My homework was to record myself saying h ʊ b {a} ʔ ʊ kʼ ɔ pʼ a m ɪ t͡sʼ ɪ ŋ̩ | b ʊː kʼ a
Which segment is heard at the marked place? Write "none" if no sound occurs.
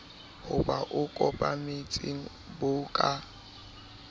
a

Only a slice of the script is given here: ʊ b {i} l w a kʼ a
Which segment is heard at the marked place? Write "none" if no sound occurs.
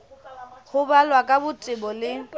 a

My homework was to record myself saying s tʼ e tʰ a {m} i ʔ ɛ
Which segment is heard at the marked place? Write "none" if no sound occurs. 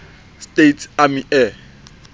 m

